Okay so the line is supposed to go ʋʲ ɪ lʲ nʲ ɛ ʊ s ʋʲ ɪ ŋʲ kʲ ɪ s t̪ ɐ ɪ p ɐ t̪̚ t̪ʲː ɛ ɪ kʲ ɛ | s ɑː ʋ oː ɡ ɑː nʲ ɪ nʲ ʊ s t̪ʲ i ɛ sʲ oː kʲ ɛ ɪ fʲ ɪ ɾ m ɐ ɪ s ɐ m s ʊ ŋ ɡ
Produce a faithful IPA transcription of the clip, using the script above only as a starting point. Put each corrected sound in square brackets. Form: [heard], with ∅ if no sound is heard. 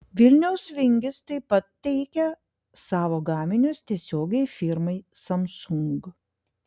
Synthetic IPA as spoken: ʋʲ ɪ lʲ nʲ ɛ ʊ s ʋʲ ɪ ŋʲ [ɡʲ] ɪ s t̪ ɐ ɪ p ɐ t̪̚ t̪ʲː ɛ ɪ kʲ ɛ | s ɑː ʋ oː ɡ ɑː [mʲ] ɪ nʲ ʊ s t̪ʲ i ɛ sʲ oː [ɡʲ] ɛ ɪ fʲ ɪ ɾ m ɐ ɪ s ɐ m s ʊ ŋ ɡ